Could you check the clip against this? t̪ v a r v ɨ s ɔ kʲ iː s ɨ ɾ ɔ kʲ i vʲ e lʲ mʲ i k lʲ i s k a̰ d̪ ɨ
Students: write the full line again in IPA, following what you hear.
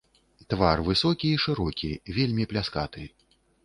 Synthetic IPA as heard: t̪ v a r v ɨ s ɔ kʲ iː ʂ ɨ ɾ ɔ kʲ i vʲ e lʲ mʲ i p lʲ a s k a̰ t̪ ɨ